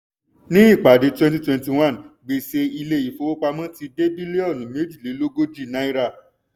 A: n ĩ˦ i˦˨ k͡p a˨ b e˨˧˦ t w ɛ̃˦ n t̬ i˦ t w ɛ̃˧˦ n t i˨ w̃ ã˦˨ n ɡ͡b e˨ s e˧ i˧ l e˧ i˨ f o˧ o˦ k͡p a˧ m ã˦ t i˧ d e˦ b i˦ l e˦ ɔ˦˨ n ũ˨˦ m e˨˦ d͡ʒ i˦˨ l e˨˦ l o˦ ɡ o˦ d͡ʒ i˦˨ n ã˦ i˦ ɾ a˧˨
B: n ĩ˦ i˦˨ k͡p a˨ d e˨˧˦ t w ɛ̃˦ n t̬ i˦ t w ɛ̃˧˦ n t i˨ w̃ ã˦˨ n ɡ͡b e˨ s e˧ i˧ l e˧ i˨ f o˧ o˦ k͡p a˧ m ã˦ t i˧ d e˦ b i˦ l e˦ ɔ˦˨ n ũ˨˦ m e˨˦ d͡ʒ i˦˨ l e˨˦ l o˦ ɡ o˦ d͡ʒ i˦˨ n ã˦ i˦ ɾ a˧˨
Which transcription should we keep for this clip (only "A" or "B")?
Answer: B